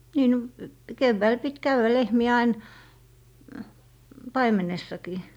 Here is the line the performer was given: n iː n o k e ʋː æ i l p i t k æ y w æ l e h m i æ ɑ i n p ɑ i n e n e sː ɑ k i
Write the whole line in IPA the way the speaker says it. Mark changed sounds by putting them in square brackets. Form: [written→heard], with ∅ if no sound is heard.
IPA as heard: n iː n o k e ʋː æ i l p i t k æ y w æ l e h m i æ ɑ i n p ɑ i [n→m] e n e sː ɑ k [i→iː]